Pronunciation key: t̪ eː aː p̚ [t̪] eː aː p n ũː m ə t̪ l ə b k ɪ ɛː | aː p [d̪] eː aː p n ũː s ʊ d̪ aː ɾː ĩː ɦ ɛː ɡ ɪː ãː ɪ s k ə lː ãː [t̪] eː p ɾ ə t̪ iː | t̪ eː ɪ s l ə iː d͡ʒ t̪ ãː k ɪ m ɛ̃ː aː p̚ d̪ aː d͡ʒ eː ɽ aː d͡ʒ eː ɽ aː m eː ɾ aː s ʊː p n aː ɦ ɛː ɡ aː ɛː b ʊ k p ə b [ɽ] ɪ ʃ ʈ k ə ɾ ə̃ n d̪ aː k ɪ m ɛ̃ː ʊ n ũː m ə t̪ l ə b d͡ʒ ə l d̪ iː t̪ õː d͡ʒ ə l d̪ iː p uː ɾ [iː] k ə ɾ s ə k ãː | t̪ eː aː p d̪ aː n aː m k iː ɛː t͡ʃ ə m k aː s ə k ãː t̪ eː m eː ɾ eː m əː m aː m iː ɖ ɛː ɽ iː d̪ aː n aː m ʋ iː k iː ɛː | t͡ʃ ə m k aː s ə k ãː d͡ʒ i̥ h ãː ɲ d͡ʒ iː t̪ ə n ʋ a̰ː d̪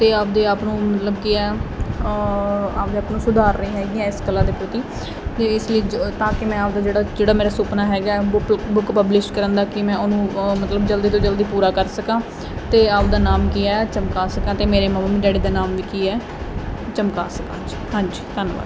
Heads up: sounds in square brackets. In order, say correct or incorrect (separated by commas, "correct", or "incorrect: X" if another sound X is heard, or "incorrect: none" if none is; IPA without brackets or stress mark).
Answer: incorrect: d̪, correct, incorrect: d̪, incorrect: l, incorrect: aː